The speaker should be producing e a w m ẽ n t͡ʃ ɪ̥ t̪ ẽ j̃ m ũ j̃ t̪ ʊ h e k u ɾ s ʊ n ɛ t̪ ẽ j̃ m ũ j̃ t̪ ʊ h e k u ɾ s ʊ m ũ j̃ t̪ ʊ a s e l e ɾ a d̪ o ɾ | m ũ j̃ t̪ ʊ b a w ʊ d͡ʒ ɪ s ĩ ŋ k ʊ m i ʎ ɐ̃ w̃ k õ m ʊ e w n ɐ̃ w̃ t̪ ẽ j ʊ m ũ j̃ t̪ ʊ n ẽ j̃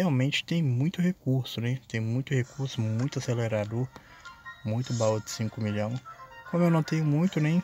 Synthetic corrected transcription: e a w m ẽ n t͡ʃ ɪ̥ t̪ ẽ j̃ m ũ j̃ t̪ ʊ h e k u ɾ s ʊ n ɛ t̪ ẽ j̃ m ũ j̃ t̪ ʊ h e k u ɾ s ʊ m ũ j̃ t̪ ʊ a s e l e ɾ a d̪ o ɾ | m ũ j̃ t̪ ʊ b a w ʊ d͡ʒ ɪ s ĩ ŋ k ʊ m i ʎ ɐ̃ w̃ k õ m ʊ e w n ɐ̃ w̃ t̪ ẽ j ʊ m ũ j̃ t̪ ʊ n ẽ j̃

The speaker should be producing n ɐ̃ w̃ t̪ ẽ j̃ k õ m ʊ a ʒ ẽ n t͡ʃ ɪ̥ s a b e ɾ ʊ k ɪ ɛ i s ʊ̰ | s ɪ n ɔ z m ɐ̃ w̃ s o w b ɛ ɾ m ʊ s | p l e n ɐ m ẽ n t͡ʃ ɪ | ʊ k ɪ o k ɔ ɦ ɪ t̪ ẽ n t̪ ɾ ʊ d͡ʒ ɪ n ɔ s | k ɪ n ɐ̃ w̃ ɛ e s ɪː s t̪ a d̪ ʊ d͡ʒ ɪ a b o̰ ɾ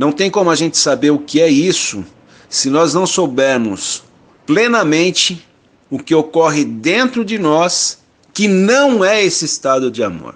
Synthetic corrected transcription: n ɐ̃ w̃ t̪ ẽ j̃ k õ m ʊ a ʒ ẽ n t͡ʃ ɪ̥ s a b e ɾ ʊ k ɪ ɛ i s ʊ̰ | s ɪ n ɔ z n ɐ̃ w̃ s o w b ɛ ɾ m ʊ s | p l e n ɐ m ẽ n t͡ʃ ɪ | ʊ k ɪ o k ɔ ɦ ɪ d̪ ẽ n t̪ ɾ ʊ d͡ʒ ɪ n ɔ s | k ɪ n ɐ̃ w̃ ɛ e s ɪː s t̪ a d̪ ʊ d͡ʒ ɪ a m o̰ ɾ

